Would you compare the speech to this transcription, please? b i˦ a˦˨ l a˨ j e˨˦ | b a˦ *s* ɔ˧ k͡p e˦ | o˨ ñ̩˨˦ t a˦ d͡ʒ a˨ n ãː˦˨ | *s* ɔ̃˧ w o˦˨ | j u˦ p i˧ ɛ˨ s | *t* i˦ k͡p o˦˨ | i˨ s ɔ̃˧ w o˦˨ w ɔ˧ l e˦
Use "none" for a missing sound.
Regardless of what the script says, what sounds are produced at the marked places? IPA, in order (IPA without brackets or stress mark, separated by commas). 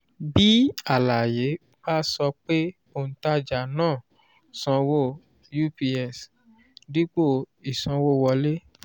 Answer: s, s, d